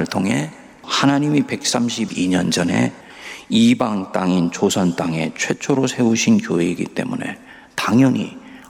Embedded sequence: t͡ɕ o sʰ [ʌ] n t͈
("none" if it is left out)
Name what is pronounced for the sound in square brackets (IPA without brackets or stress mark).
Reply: ʌ